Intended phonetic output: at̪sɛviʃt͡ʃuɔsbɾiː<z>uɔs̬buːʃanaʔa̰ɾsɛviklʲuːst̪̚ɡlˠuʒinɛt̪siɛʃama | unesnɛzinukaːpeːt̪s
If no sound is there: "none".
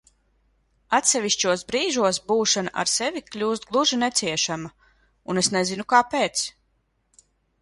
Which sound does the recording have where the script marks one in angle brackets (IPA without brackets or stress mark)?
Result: ʒ